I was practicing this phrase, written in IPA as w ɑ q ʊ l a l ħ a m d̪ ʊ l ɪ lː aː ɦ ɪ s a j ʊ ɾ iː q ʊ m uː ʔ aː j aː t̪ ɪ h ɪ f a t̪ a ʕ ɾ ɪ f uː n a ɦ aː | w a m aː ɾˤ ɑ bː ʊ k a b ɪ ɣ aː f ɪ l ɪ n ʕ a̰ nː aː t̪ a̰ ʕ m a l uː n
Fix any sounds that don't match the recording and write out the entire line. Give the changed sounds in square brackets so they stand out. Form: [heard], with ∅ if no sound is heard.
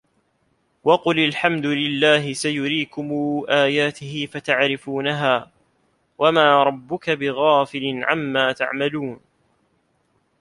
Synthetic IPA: w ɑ q ʊ l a l ħ a m d̪ ʊ l ɪ lː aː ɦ ɪ s a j ʊ ɾ iː [k] ʊ m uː ʔ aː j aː t̪ ɪ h ɪ f a t̪ a ʕ ɾ ɪ f uː n a ɦ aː | w a m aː ɾˤ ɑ bː ʊ k a b ɪ ɣ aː f ɪ l ɪ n ʕ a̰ [mː] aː t̪ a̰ ʕ m a l uː n

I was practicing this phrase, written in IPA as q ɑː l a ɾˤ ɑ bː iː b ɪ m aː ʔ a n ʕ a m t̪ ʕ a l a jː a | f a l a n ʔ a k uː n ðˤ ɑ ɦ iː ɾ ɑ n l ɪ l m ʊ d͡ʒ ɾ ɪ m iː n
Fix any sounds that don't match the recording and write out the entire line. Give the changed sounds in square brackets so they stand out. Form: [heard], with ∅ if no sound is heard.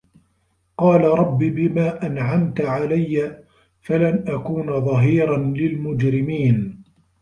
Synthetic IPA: q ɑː l a ɾˤ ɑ bː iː b ɪ m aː ʔ a n ʕ a m t̪ ʕ a l a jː a | f a l a n ʔ a k uː n ðˤ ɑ ɦ iː ɾ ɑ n l ɪ l m ʊ d͡ʒ ɾ ɪ m iː n

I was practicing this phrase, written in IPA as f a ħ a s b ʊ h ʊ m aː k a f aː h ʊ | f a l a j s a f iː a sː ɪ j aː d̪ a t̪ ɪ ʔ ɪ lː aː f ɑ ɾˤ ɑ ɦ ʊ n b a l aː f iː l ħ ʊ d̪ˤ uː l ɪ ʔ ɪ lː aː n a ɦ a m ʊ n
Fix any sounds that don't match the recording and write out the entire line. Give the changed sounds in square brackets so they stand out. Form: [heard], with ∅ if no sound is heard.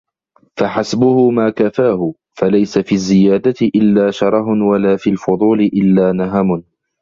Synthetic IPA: f a ħ a s b ʊ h ʊ m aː k a f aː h ʊ | f a l a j s a f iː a [zː] ɪ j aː d̪ a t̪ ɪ ʔ ɪ lː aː [ʃ] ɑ ɾˤ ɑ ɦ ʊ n [w] a l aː f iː l [f] ʊ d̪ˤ uː l ɪ ʔ ɪ lː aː n a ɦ a m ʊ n

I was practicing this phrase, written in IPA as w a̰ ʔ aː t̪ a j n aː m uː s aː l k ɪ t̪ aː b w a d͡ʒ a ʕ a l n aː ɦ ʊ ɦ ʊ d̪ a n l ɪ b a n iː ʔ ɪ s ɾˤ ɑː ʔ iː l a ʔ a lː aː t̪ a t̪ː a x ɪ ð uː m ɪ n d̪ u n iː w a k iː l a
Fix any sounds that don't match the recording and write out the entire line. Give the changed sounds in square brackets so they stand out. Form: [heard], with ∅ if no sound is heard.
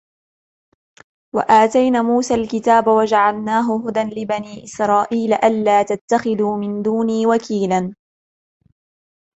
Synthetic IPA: w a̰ ʔ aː t̪ a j n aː m uː s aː l k ɪ t̪ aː b w a d͡ʒ a ʕ a l n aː ɦ ʊ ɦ ʊ d̪ a n l ɪ b a n iː ʔ ɪ s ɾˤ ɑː ʔ iː l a ʔ a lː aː t̪ a t̪ː a x ɪ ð uː m ɪ n d̪ [uː] n iː w a k iː l a

